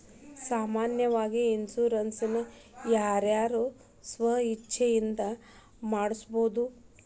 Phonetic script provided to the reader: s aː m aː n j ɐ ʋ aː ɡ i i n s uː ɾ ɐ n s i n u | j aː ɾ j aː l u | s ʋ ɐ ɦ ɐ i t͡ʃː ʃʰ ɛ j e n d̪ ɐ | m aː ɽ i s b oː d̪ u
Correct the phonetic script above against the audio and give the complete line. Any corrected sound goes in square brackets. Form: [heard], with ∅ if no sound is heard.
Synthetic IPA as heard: s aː m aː n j ɐ ʋ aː ɡ i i n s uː ɾ ɐ n s i n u | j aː ɾ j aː [ɾ] u | s ʋ ɐ ɦ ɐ i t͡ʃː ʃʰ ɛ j [i] n d̪ ɐ | m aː ɽ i s b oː d̪ u